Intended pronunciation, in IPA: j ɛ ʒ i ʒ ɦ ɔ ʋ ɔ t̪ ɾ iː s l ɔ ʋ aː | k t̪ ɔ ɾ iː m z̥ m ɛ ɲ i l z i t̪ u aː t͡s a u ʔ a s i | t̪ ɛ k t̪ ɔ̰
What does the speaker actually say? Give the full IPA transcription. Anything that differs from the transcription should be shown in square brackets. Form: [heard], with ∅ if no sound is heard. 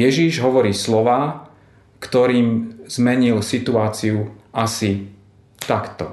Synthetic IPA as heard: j ɛ ʒ i ʒ ɦ ɔ ʋ ɔ [∅] ɾ iː s l ɔ ʋ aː | k t̪ ɔ ɾ iː m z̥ m ɛ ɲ i l [s] i t̪ u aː t͡s [i] u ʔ a s i | t̪ [a] k t̪ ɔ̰